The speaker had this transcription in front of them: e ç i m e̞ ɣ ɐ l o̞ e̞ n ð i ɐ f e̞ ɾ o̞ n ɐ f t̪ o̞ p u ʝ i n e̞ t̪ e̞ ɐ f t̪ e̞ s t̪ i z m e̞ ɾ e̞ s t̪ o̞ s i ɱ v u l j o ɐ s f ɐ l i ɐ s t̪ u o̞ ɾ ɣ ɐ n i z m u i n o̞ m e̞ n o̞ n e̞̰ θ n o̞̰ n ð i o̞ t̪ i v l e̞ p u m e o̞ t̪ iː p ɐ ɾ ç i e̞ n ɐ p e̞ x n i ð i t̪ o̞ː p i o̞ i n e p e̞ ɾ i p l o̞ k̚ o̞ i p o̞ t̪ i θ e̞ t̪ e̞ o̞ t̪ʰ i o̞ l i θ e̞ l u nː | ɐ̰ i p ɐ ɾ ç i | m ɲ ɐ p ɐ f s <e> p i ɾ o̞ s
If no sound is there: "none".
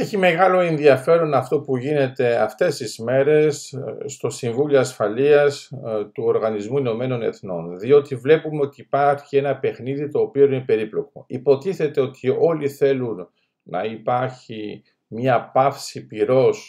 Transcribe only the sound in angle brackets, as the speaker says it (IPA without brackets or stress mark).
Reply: i